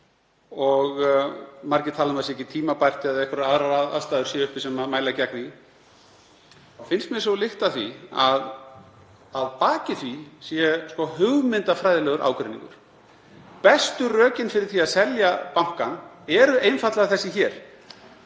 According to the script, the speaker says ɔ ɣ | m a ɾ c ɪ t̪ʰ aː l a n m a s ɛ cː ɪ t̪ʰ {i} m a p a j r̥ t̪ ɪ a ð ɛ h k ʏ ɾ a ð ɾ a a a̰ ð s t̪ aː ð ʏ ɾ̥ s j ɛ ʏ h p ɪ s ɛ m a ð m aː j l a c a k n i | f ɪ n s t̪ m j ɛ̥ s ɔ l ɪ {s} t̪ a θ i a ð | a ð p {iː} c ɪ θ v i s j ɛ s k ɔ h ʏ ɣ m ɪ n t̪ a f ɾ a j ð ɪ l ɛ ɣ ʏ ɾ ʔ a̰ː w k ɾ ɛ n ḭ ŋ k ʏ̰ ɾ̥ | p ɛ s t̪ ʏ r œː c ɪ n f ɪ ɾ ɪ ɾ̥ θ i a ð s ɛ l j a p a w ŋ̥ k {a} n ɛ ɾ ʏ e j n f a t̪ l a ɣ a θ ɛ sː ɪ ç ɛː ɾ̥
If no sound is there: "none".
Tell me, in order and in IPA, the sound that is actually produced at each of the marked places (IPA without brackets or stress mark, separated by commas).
iː, h, aː, a